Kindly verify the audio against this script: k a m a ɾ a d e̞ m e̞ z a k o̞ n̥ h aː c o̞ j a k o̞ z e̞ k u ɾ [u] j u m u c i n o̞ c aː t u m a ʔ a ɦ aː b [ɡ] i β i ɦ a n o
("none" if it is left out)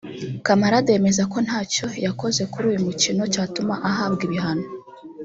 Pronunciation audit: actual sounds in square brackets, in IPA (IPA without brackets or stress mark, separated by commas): uː, ɡ